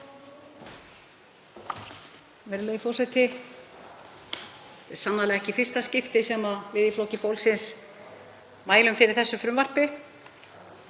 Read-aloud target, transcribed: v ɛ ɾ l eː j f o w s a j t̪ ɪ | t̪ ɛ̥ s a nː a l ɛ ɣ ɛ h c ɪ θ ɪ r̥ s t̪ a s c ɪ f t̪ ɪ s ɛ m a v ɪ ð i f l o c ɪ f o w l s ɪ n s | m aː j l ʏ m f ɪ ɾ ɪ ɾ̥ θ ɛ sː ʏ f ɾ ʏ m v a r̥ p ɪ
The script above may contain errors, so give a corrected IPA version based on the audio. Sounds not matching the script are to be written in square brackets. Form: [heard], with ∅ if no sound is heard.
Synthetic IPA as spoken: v ɛ ɾ l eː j f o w s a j t̪ ɪ | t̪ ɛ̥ s a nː a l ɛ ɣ ɛ h c ɪ [f] ɪ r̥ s t̪ a s c ɪ f t̪ ɪ s ɛ m a v ɪ ð i f l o c ɪ f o w l s ɪ n s | m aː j l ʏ m f ɪ ɾ ɪ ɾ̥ θ ɛ sː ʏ f ɾ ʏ m v a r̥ p ɪ